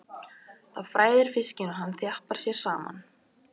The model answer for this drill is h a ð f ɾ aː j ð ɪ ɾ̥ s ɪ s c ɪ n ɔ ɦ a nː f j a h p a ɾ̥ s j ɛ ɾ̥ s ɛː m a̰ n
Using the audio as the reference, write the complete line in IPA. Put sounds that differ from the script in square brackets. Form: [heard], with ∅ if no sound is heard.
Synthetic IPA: [θ] a ð f ɾ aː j ð ɪ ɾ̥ [f] ɪ s c ɪ n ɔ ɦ a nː [θ] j a h p a ɾ̥ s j ɛ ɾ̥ s [aː] m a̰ n